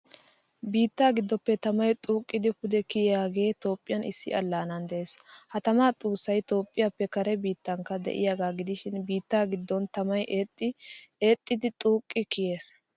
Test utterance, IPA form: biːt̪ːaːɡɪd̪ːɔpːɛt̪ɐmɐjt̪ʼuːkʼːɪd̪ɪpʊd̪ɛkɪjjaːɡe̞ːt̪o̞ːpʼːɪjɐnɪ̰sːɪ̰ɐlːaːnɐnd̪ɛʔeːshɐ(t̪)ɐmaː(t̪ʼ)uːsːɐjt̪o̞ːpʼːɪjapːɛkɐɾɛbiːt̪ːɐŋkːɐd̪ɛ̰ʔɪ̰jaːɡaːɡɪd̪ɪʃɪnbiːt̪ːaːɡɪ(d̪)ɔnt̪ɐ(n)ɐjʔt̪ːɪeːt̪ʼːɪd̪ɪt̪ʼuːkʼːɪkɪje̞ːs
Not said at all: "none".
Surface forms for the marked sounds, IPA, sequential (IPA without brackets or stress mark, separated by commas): t̪, t̪ʼ, d̪ː, m